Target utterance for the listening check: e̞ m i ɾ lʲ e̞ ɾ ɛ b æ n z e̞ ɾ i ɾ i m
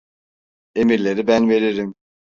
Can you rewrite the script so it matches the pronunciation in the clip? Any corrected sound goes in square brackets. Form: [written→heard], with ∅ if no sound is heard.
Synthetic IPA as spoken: e̞ m i ɾ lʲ e̞ ɾ [ɛ→i] b æ n [z→v] e̞ ɾ i ɾ i m